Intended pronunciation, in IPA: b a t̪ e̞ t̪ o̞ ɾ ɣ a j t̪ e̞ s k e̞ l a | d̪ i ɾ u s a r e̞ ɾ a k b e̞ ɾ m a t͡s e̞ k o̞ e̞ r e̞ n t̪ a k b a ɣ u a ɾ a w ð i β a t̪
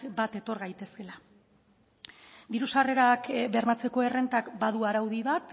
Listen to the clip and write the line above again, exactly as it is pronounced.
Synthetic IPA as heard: b a t̪ e̞ t̪ o̞ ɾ ɣ a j t̪ e̞ s k e̞ l a | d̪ i ɾ u s a r e̞ ɾ a k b e̞ ɾ m a t͡s e̞ k o̞ e̞ r e̞ n t̪ a k b a ð u a ɾ a w ð i β a t̪